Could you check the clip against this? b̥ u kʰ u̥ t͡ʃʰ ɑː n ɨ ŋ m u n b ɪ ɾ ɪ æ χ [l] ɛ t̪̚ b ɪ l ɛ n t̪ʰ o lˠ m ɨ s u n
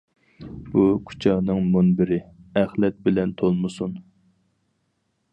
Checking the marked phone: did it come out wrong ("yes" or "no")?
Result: no